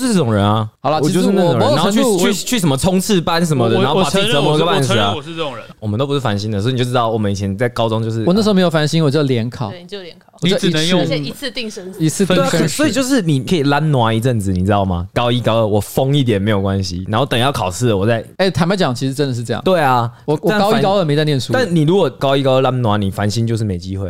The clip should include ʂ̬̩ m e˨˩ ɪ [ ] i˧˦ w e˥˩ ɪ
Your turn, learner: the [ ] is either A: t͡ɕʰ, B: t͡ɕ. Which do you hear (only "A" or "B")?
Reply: B